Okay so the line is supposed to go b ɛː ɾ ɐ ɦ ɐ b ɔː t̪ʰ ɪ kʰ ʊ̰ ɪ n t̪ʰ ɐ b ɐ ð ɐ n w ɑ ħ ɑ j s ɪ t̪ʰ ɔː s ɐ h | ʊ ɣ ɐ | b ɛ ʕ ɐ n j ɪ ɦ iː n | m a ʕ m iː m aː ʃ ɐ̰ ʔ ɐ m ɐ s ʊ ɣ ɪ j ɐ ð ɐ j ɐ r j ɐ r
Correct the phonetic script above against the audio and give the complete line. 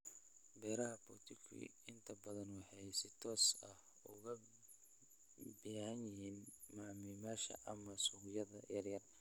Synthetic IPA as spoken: b ɛː ɾ ɐ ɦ ɐ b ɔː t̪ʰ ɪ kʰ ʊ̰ ɪ n t̪ʰ ɐ b ɐ ð ɐ n w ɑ ħ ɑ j s ɪ t̪ʰ ɔː s ɐ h | ʊ ɣ ɐ | b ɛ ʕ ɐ n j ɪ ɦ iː n | m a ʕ m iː m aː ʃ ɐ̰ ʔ ɐ m ɐ s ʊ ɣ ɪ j ɐ ð ɐ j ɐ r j ɐ r